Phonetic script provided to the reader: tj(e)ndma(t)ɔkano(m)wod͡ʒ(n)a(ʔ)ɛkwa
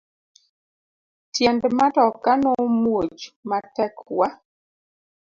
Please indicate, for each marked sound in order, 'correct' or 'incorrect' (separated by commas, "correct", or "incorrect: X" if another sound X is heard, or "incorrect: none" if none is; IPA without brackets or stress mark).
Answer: incorrect: ɛ, correct, correct, incorrect: m, incorrect: t